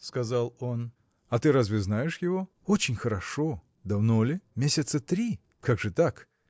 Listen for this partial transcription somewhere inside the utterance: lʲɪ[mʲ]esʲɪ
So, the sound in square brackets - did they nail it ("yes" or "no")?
yes